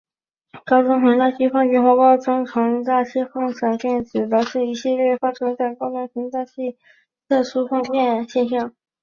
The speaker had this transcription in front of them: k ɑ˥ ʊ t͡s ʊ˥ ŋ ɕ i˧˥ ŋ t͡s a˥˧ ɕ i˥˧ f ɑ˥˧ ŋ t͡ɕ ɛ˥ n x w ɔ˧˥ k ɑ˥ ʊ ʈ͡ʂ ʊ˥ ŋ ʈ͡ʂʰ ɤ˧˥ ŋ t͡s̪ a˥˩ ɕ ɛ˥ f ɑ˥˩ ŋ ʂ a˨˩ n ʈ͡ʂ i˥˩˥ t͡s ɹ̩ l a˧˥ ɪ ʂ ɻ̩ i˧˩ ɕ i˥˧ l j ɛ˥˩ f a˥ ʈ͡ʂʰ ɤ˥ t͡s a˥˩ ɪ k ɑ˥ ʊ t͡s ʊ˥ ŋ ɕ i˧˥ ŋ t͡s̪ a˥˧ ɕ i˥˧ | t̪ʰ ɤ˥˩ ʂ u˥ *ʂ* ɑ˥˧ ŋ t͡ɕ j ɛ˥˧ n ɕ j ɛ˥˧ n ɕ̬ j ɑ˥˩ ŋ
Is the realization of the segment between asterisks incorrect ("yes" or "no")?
yes